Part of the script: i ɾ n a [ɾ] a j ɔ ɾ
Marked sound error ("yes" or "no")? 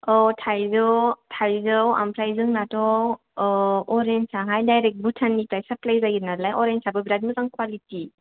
yes